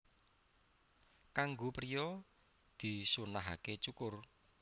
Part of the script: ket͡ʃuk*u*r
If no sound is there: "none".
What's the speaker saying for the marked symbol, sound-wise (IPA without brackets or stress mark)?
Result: ʊ